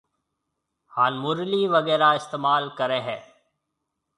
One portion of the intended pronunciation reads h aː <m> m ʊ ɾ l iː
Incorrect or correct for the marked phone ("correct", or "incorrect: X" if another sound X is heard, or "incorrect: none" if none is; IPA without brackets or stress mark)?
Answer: incorrect: n